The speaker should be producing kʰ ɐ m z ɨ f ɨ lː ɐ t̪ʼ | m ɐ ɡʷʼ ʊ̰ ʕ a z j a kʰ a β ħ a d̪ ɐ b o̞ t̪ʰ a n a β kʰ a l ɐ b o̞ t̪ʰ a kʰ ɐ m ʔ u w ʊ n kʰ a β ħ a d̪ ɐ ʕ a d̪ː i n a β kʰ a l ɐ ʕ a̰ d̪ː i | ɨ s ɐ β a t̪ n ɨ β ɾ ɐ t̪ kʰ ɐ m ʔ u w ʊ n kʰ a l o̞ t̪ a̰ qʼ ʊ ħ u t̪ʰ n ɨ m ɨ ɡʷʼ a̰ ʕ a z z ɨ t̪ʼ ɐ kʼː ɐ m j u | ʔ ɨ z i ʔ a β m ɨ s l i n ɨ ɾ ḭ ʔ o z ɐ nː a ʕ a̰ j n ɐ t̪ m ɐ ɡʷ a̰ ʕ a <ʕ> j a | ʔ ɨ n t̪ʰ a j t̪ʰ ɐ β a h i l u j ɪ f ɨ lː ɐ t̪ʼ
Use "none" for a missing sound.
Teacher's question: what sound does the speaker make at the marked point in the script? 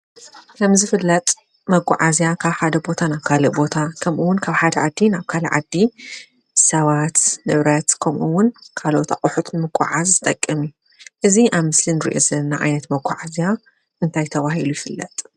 z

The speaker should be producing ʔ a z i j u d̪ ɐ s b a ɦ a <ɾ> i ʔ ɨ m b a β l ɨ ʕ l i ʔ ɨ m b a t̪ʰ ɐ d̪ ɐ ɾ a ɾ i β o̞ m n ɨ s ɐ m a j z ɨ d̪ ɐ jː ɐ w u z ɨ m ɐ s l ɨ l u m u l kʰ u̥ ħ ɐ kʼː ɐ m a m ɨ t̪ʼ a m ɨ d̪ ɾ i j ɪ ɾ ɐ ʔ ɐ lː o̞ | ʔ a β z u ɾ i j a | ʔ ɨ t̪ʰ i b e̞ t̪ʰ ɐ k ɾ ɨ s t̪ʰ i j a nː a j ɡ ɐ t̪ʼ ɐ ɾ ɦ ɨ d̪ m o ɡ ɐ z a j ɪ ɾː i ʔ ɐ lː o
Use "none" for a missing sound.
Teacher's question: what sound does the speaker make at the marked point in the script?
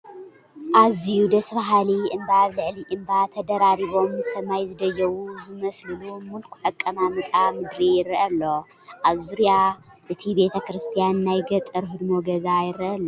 l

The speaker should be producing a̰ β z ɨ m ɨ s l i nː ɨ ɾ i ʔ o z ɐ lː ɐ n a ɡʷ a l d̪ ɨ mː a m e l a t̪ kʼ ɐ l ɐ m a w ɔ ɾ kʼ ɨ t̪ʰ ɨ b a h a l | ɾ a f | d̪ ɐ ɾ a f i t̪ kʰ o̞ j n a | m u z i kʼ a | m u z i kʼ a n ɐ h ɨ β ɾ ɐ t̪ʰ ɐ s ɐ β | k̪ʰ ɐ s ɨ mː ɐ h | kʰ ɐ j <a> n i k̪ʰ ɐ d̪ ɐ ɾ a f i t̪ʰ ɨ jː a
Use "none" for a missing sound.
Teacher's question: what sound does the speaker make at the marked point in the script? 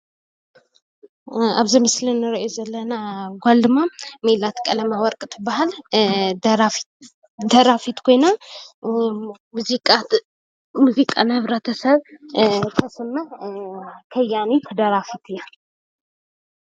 a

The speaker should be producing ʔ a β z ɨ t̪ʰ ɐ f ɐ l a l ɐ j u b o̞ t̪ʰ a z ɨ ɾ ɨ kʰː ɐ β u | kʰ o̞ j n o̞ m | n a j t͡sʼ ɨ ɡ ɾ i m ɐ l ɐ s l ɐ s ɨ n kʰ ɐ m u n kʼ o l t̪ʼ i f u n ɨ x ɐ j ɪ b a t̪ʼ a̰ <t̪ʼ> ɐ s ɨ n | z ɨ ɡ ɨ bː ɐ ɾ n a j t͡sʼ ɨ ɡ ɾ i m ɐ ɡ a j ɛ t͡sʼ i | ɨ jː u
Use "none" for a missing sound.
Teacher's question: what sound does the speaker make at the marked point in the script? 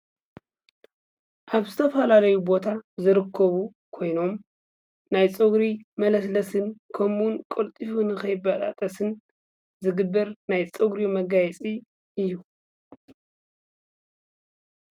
t̪ʼ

